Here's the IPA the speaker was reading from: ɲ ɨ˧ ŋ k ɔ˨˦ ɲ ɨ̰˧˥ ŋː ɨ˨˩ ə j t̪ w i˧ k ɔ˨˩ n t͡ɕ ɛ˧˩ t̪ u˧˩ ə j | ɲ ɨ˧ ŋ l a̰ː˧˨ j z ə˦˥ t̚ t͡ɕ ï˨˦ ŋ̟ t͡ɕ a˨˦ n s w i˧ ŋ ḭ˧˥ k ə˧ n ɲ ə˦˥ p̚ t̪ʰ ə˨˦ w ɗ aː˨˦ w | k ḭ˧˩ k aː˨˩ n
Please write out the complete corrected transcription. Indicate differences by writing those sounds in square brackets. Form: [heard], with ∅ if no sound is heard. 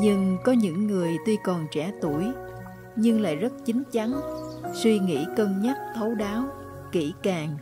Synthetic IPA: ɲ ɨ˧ ŋ k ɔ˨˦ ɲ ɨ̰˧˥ ŋː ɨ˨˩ ə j t̪ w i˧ k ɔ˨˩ n t͡ɕ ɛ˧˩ t̪ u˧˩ ə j | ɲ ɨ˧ ŋ l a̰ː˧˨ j z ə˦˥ t̚ t͡ɕ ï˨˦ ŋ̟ t͡ɕ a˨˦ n s w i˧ ŋ ḭ˧˥ k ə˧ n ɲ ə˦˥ [t̚] t̪ʰ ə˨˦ w ɗ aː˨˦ w | k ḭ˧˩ k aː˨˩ [ŋ]